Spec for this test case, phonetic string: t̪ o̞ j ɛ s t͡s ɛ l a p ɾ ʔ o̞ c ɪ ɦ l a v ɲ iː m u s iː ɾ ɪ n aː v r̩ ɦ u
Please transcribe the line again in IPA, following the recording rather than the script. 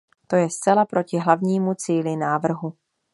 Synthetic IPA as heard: t̪ o̞ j ɛ s t͡s ɛ l a p ɾ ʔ o̞ c ɪ ɦ l a v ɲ iː m u t͡s iː l ɪ n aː v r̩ ɦ u

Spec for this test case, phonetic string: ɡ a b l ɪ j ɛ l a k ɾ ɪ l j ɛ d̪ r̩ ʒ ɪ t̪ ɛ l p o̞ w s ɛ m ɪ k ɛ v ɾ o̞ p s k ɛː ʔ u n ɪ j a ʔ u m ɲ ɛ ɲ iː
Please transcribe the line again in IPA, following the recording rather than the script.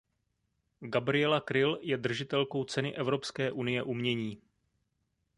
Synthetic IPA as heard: ɡ a b ɾ ɪ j ɛ l a k ɾ ɪ l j ɛ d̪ r̩ ʒ ɪ t̪ ɛ l k o̞ w t͡s ɛ n ɪ ʔ ɛ v ɾ o̞ p s k ɛː ʔ u n ɪ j ɛ ʔ u m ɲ ɛ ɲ iː

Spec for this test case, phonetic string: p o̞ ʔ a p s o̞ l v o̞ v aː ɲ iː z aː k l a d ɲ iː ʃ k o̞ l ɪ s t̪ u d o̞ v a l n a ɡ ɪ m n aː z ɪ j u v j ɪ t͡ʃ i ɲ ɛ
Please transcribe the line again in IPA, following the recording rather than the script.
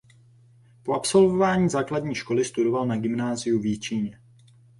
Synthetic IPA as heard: p o̞ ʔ a p s o̞ l v o̞ v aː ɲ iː z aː k l a d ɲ iː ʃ k o̞ l ɪ s t̪ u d o̞ v a l n a ɡ ɪ m n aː z ɪ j u v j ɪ t͡ʃ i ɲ ɛ

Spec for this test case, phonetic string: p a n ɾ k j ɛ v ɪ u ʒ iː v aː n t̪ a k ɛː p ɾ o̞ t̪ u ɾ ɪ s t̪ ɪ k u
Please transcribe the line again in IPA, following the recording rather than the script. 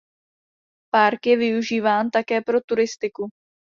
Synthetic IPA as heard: p a ɾ k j ɛ v ɪ u ʒ iː v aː n t̪ a k ɛː p ɾ o̞ t̪ u ɾ ɪ s t̪ ɪ k u

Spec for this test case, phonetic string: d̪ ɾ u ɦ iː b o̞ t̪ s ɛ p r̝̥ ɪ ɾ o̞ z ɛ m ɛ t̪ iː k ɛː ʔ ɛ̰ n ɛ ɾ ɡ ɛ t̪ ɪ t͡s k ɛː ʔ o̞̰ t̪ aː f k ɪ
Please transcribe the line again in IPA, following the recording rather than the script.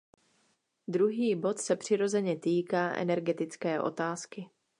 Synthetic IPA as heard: d̪ ɾ u ɦ iː b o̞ t̪ s ɛ p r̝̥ ɪ ɾ o̞ z ɛ ɲ ɛ t̪ iː k aː ʔ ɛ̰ n ɛ ɾ ɡ ɛ t̪ ɪ t͡s k ɛː ʔ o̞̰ t̪ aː s k ɪ

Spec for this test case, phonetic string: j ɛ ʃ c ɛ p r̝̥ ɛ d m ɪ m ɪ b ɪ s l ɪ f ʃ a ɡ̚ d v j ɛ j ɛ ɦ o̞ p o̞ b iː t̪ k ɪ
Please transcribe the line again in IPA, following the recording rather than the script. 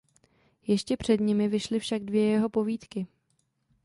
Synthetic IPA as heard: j ɛ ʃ c ɛ p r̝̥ ɛ d ɲ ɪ m ɪ v ɪ ʃ l ɪ f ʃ a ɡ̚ d v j ɛ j ɛ ɦ o̞ p o̞ v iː t̪ k ɪ

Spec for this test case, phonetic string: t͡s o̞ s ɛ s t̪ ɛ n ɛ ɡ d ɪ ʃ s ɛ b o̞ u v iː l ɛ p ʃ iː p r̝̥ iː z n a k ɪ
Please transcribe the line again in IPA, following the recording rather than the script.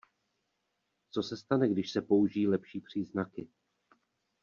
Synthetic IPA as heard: t͡s o̞ s ɛ s t̪ a n ɛ ɡ d ɪ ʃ s ɛ p o̞ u ʒ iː l ɛ p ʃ iː p r̝̥ iː z n a k ɪ

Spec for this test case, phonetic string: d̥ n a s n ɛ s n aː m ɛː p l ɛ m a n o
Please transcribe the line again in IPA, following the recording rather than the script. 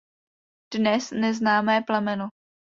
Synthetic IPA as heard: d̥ n ɛ s n ɛ z n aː m ɛː p l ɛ m ɛ n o

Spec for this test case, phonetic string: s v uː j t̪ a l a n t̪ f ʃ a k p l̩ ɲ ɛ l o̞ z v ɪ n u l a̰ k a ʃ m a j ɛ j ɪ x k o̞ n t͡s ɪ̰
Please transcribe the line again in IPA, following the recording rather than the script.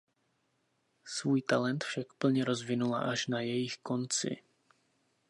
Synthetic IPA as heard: s v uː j t̪ a l ɛ n t̪ f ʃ a k p l̩ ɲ ɛ ɾ o̞ z v ɪ n u l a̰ ʔ a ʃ n a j ɛ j ɪ x k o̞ n t͡s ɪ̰

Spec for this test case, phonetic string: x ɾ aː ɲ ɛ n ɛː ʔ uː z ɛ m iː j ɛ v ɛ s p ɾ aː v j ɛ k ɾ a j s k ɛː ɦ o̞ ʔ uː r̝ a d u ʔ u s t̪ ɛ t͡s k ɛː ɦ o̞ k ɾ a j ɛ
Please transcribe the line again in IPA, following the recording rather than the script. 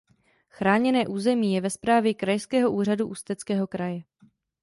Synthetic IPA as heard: x ɾ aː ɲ ɛ n ɛː ʔ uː z ɛ m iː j ɛ v ɛ s p ɾ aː v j ɛ k ɾ a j s k ɛː ɦ o̞ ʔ uː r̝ a d u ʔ u s t̪ ɛ t͡s k ɛː ɦ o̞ k ɾ a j ɛ

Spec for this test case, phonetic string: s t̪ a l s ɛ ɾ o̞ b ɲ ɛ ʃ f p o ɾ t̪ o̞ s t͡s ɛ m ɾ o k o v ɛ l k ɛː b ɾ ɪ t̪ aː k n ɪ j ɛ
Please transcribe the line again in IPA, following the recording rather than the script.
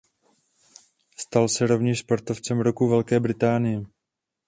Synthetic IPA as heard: s t̪ a l s ɛ ɾ o̞ v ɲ ɛ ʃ s p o ɾ t̪ o̞ f t͡s ɛ m ɾ o k u v ɛ l k ɛː b ɾ ɪ t̪ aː n ɪ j ɛ

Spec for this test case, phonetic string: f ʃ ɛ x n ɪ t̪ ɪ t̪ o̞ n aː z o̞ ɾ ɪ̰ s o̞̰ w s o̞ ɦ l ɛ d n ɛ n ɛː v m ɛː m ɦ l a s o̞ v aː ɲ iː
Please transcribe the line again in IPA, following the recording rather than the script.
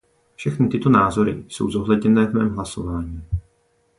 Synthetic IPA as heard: f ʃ ɛ x n ɪ t̪ ɪ t̪ o̞ n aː z o̞ ɾ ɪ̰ s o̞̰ w z o̞ ɦ l ɛ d ɲ ɛ n ɛː v m ɛː m ɦ l a s o̞ v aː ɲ iː

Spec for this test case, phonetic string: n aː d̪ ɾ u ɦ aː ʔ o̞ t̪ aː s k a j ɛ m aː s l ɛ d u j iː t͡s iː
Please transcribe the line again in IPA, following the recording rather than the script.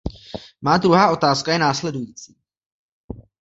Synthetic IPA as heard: m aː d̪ ɾ u ɦ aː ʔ o̞ t̪ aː s k a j ɛ n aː s l ɛ d u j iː t͡s iː

